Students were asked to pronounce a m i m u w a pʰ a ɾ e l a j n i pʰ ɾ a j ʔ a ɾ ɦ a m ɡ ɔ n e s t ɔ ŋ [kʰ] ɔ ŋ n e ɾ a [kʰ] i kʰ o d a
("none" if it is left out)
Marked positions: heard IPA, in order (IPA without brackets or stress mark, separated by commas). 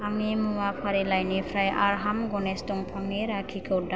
pʰ, kʰ